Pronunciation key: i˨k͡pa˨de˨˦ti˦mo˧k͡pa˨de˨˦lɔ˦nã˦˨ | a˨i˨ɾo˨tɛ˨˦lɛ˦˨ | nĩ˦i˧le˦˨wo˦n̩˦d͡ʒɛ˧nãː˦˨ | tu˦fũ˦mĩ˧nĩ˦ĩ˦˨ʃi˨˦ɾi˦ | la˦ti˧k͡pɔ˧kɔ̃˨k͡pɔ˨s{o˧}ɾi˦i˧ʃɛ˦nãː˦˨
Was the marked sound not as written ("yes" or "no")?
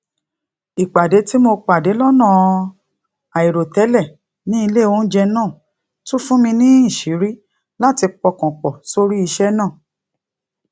no